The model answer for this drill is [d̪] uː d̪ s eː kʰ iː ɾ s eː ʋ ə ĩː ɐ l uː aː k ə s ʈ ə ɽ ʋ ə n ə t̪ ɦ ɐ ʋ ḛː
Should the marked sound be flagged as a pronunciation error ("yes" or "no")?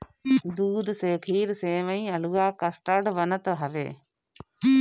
no